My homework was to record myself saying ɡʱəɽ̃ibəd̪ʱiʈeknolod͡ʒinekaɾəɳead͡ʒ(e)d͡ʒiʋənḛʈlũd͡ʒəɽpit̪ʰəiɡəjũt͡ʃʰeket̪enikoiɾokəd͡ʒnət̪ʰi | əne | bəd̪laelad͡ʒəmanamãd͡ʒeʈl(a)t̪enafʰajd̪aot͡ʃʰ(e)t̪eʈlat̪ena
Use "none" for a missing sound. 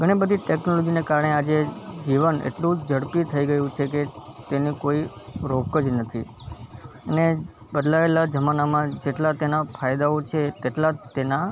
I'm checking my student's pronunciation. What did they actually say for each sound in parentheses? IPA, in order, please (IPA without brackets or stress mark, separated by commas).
e, a, e